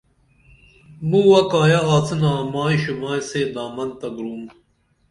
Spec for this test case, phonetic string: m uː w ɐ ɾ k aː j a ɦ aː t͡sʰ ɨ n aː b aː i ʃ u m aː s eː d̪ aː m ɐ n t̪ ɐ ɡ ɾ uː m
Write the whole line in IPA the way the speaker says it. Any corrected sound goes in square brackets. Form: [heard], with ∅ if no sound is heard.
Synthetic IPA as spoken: m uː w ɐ [∅] k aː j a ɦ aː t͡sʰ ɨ n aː [m] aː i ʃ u m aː s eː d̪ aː m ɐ n t̪ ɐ ɡ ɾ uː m